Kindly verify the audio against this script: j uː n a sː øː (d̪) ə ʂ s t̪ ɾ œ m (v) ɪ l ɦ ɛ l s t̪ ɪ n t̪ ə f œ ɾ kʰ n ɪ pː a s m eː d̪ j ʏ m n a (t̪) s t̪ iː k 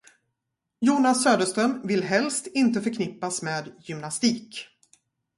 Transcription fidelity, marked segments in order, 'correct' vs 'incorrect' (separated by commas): correct, correct, incorrect